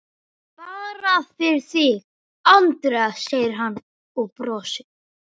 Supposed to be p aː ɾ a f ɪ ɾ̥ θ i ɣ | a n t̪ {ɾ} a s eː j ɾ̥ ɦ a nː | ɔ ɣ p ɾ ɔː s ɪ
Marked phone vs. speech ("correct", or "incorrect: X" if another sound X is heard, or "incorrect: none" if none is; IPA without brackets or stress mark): correct